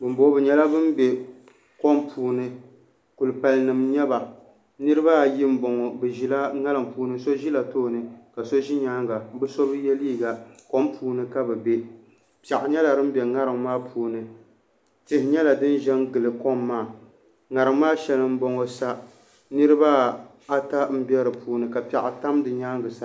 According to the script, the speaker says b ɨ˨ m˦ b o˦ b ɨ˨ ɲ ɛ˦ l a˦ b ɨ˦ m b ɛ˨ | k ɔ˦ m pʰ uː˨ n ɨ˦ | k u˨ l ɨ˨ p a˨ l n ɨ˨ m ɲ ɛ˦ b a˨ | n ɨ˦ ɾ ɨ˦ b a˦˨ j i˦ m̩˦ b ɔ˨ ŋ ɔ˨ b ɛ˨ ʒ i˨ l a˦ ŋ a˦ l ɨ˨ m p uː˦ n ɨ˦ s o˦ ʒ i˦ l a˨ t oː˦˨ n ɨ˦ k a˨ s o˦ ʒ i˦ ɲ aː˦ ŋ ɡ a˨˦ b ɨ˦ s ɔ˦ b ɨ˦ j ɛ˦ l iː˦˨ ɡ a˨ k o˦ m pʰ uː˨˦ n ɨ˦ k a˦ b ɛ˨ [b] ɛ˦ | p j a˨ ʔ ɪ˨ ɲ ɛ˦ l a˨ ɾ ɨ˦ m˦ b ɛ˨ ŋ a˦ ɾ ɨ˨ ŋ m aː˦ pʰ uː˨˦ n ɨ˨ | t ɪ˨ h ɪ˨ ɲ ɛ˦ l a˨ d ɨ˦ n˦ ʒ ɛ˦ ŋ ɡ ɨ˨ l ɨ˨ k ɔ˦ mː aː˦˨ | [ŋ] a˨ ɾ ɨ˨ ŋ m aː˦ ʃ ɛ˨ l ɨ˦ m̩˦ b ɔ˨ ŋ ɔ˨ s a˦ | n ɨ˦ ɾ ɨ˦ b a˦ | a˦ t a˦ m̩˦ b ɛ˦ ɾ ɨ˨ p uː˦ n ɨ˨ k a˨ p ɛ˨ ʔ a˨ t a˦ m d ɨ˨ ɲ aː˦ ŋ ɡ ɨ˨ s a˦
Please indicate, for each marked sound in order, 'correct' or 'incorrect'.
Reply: correct, correct

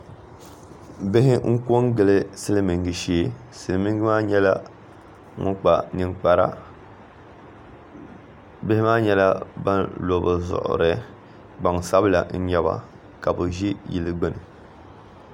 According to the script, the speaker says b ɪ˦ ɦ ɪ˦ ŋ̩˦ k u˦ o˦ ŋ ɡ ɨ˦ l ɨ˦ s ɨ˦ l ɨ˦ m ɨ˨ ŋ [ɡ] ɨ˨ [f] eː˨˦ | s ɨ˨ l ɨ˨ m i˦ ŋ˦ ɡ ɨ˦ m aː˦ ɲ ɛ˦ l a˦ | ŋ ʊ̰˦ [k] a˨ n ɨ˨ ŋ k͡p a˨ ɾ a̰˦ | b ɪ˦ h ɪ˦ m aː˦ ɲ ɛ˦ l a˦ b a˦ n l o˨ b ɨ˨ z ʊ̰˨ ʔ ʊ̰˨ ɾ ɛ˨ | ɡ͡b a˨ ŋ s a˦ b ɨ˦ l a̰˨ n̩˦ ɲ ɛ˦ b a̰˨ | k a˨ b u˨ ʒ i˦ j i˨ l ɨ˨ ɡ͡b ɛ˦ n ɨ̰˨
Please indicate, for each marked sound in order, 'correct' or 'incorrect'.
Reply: correct, incorrect, incorrect

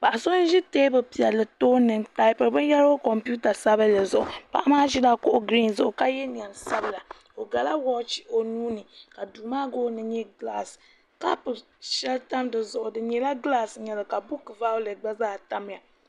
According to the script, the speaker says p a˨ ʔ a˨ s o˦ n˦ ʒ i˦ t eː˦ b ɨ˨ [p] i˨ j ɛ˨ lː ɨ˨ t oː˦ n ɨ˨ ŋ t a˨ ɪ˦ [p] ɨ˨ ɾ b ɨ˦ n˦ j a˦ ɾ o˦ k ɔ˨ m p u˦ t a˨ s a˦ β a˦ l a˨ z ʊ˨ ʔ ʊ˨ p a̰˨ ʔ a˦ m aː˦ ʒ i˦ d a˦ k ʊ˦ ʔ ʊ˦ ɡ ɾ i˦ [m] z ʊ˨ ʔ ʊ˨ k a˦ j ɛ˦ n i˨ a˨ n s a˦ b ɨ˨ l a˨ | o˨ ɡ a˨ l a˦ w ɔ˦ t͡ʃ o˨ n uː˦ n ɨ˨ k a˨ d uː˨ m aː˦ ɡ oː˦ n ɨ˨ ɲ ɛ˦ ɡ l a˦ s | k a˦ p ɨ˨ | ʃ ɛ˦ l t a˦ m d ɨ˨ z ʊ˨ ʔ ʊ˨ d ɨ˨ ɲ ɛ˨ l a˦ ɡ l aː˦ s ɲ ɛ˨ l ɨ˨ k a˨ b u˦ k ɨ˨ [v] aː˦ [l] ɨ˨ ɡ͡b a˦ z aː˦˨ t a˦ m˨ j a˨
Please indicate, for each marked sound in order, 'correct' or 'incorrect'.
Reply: correct, correct, incorrect, correct, correct

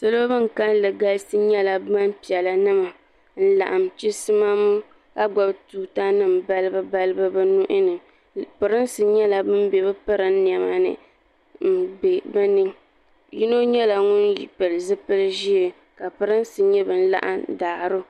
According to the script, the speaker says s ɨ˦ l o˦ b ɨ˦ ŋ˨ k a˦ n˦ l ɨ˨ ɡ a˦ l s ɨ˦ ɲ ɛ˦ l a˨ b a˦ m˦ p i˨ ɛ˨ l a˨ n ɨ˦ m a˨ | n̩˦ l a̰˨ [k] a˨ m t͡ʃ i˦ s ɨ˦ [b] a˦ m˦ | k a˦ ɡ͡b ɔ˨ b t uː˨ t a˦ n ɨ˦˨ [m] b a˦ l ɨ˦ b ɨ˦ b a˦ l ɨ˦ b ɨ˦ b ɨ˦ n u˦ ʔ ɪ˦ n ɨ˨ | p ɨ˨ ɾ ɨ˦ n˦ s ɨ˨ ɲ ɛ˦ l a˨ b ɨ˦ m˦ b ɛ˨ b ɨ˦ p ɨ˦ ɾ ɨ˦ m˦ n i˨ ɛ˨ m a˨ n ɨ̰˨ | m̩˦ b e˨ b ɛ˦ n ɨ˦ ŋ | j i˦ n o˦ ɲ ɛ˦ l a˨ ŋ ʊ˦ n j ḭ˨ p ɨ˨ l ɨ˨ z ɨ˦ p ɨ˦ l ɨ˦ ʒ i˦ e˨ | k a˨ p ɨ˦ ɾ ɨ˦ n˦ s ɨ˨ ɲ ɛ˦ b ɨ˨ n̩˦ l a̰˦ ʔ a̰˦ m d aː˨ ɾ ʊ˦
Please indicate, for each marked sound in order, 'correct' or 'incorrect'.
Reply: incorrect, incorrect, correct

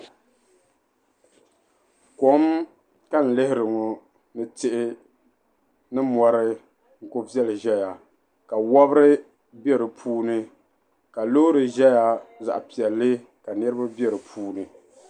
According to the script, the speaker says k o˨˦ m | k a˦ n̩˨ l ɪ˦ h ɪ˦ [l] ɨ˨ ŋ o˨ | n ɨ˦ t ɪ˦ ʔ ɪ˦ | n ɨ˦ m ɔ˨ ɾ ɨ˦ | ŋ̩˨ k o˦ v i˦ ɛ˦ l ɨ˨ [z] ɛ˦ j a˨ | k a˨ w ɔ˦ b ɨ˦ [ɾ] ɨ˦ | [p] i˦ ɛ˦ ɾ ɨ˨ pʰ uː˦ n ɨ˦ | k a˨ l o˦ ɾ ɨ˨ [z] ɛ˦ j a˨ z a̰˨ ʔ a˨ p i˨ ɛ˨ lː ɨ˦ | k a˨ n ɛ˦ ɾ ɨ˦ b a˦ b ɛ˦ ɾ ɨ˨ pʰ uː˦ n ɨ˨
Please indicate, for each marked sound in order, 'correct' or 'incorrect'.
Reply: incorrect, incorrect, correct, incorrect, incorrect

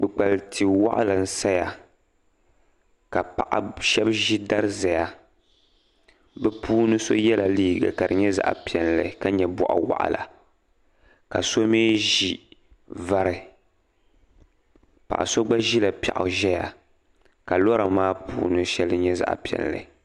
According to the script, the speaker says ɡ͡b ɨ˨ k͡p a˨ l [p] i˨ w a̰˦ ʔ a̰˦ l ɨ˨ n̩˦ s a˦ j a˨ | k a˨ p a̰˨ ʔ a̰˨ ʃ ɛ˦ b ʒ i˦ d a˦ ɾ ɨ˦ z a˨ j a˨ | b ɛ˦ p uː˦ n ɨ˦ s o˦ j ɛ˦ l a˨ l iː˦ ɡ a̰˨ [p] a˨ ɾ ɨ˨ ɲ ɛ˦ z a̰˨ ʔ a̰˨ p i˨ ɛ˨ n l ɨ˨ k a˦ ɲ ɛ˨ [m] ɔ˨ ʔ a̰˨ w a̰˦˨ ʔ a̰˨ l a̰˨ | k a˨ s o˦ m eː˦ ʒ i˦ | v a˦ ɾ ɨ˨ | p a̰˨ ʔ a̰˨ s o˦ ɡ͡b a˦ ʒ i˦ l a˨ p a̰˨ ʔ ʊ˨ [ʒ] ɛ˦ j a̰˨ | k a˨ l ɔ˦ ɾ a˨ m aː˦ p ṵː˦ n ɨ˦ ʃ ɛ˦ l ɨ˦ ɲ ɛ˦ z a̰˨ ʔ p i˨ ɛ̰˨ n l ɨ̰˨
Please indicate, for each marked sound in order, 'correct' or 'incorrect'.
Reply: incorrect, incorrect, incorrect, correct

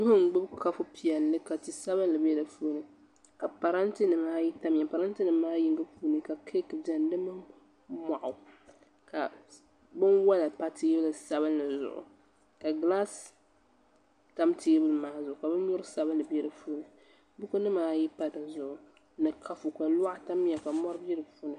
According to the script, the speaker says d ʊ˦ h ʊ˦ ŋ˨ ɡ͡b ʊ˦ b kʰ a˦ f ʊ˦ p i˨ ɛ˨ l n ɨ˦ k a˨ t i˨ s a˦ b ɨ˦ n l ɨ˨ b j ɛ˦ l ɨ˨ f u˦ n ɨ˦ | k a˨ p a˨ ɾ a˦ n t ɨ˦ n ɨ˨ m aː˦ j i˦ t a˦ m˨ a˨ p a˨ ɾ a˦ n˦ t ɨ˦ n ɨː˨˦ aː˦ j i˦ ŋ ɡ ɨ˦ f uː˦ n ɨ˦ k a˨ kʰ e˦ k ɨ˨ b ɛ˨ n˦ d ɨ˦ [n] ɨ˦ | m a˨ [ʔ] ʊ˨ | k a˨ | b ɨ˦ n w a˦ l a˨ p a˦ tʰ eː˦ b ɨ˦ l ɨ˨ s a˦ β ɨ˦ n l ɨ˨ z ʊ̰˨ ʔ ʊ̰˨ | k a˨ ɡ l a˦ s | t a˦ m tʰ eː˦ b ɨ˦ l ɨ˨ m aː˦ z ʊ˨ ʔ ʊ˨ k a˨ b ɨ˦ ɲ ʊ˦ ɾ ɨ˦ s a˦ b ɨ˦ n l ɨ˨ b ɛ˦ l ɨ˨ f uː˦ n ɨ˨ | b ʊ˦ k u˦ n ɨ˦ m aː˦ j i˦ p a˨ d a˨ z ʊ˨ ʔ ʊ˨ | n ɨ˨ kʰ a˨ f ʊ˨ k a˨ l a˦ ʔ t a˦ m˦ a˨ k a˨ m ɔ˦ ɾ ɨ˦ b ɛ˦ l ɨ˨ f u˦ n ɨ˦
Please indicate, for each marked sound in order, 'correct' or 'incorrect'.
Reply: incorrect, correct

